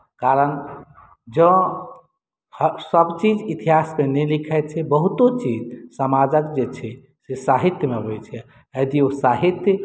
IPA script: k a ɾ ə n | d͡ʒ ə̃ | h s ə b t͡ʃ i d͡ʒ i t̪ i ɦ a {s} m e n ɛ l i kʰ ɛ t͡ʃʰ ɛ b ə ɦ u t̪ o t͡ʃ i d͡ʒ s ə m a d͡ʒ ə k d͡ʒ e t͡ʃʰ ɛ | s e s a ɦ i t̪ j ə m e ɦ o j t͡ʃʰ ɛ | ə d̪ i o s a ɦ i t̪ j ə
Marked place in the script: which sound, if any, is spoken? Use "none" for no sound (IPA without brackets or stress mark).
s